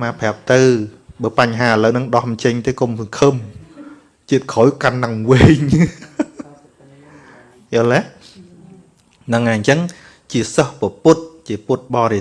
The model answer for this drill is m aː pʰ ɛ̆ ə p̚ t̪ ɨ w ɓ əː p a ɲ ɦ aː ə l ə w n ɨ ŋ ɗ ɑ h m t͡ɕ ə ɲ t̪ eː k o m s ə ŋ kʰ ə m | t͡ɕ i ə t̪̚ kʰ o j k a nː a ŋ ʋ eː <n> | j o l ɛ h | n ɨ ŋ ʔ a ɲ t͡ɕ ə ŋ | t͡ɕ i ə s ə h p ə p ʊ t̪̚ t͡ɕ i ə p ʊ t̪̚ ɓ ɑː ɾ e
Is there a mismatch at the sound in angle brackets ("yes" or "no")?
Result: yes